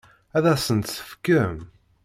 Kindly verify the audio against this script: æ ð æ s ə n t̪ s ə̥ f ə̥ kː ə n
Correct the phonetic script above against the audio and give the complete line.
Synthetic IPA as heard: æ ð æ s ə n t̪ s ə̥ f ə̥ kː ə m